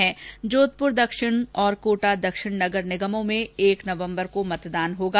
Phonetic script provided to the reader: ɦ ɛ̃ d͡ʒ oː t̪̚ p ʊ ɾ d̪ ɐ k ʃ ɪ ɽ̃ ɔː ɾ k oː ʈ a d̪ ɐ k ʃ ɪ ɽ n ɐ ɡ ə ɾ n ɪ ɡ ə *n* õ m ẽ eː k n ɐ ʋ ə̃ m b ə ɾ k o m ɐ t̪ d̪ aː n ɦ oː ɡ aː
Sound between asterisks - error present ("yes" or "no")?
yes